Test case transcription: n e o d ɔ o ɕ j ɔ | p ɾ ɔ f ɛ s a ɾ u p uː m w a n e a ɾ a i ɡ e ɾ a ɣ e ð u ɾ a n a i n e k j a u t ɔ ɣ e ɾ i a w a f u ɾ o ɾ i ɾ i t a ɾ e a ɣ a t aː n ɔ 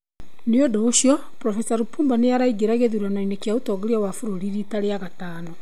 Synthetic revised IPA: n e o d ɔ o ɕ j ɔ | p ɾ ɔ f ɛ s a ɾ u p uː m b a n e a ɾ a i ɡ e ɾ a ɣ e ð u ɾ a n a i n e k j a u t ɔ ɣ e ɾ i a w a f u ɾ o ɾ i ɾ i t a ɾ e a ɣ a t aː n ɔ